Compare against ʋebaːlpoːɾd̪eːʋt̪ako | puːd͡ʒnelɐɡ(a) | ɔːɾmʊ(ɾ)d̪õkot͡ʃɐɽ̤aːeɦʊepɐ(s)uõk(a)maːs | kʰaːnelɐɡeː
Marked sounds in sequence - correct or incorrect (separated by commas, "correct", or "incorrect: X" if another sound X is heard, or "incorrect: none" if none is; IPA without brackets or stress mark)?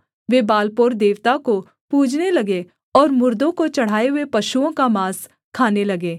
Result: incorrect: e, correct, incorrect: ʃ, correct